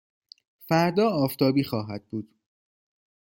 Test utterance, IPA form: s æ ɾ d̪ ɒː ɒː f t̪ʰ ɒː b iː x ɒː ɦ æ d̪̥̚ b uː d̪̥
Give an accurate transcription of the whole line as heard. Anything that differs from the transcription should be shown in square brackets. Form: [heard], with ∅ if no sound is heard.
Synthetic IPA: [f] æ ɾ d̪ ɒː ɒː f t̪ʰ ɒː b iː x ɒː ɦ æ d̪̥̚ b uː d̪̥